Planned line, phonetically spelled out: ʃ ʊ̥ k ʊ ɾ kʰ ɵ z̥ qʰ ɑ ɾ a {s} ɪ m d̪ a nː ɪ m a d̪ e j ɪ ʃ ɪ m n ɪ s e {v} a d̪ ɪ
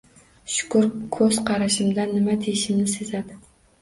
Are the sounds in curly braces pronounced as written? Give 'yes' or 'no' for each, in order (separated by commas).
no, no